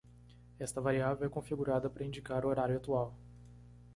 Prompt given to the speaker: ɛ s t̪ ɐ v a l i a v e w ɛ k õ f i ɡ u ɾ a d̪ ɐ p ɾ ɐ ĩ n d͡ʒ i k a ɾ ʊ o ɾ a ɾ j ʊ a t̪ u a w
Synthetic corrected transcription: ɛ s t̪ ɐ v a ɾ i a v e w ɛ k õ f i ɡ u ɾ a d̪ ɐ p ɾ ɐ ĩ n d͡ʒ i k a ɾ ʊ o ɾ a ɾ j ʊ a t̪ u a w